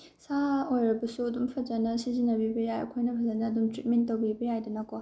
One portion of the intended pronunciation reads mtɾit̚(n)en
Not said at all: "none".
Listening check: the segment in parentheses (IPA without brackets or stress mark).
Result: m